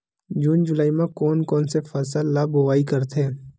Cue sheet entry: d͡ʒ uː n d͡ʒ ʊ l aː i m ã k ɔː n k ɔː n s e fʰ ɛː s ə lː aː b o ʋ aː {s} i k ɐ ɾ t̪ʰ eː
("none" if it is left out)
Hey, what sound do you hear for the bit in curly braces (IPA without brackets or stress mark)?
none